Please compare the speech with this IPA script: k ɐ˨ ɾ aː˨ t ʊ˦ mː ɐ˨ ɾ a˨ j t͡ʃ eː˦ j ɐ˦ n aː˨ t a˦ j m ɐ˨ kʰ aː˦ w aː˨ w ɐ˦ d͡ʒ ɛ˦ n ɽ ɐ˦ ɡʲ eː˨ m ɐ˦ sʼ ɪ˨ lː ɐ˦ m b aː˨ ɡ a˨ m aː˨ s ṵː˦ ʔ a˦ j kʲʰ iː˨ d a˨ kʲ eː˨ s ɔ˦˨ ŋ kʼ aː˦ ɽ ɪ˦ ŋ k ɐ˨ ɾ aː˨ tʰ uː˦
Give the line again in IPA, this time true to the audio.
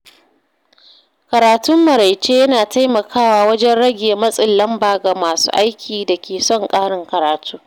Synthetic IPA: k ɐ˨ ɾ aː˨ t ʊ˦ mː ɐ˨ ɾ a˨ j t͡ʃ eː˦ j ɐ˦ n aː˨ t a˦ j m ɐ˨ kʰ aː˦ w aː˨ w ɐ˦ d͡ʒ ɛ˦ n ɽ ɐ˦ ɡʲ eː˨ m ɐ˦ sʼ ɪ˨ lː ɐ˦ m b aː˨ ɡ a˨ m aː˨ s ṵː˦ ʔ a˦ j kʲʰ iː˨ d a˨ kʲ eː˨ s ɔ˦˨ ŋ kʼ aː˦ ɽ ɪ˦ ŋ k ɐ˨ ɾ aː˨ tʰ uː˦